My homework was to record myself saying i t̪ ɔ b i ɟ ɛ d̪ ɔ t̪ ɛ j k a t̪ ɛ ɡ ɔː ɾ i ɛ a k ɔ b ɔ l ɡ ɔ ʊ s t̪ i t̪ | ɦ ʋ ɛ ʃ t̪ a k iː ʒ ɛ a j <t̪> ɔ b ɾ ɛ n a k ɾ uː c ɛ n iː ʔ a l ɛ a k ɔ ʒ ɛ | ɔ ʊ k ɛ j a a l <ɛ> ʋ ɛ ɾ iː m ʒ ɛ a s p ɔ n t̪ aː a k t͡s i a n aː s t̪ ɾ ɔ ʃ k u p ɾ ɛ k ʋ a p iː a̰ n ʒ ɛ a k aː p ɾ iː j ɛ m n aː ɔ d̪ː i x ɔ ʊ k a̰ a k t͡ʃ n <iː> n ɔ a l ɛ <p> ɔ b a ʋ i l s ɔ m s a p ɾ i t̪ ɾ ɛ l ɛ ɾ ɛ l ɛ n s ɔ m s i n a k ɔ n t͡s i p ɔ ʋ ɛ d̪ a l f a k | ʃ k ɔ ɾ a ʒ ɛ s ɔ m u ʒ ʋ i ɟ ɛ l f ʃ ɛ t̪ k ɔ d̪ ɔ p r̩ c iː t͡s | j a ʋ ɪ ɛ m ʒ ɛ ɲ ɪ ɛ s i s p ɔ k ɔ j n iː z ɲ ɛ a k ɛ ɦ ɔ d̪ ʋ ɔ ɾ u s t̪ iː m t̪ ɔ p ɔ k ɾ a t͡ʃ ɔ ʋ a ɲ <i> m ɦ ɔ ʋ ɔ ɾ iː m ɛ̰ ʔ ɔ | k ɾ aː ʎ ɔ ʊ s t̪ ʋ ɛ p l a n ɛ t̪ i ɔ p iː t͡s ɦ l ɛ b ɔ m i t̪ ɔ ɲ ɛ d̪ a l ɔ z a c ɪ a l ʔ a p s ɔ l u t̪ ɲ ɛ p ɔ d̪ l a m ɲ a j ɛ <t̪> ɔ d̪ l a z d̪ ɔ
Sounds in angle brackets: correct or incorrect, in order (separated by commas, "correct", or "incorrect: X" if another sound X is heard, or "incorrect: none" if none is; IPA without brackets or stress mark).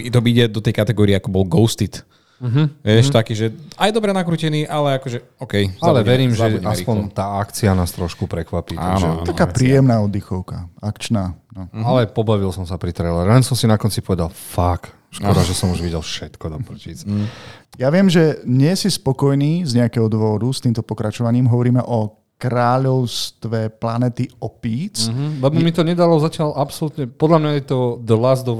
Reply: incorrect: d̪, correct, incorrect: aː, correct, incorrect: iː, correct